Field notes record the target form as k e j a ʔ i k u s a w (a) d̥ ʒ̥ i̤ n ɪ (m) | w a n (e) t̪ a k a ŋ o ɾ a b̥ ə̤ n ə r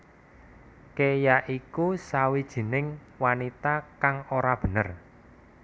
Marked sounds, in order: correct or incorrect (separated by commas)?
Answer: incorrect, incorrect, incorrect